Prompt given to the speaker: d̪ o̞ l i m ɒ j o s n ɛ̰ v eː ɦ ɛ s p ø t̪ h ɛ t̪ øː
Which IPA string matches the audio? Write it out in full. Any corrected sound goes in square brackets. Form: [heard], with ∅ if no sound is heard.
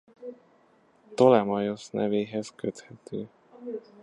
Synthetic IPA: [t̪] o̞ l [ɛ] m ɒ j o s n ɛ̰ v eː ɦ ɛ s [k] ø t̪ h ɛ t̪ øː